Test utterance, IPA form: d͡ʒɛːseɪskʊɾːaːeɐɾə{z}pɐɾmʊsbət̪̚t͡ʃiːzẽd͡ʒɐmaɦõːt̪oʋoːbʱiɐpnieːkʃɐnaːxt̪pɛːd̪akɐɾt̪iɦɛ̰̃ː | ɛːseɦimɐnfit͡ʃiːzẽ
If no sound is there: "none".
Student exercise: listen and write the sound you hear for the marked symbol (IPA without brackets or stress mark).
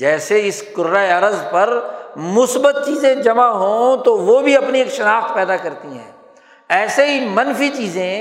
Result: z